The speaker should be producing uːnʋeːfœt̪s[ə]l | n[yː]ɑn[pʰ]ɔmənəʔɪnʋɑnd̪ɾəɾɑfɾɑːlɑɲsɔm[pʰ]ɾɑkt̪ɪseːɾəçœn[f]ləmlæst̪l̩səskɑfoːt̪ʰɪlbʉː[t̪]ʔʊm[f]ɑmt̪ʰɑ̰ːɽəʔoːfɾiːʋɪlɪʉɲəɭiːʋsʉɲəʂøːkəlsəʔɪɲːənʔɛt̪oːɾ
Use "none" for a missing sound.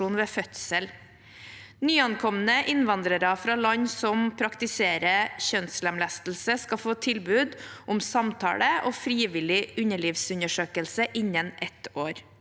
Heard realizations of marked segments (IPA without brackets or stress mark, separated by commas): ə, yː, kʰ, pʰ, s, d̪, s